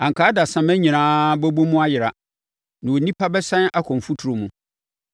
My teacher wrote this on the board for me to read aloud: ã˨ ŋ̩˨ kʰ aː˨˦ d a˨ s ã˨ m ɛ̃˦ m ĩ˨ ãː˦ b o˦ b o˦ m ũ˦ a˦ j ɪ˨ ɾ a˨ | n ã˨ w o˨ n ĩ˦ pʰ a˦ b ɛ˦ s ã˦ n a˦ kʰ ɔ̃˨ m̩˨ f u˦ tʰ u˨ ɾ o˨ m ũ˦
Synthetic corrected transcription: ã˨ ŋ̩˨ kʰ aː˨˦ d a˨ s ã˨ m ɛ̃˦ ɲ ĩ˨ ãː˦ b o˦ b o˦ m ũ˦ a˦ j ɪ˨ ɾ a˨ | n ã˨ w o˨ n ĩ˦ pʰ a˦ b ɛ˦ s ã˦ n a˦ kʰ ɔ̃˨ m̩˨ f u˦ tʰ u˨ ɾ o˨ m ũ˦